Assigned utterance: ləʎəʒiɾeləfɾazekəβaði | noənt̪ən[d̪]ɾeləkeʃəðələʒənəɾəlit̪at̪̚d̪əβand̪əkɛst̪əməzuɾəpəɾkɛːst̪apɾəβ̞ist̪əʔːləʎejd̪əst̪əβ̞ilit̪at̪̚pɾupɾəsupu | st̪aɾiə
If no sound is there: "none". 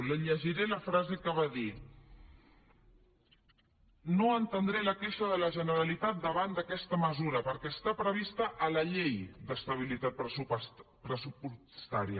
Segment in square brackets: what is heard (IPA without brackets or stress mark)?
d̪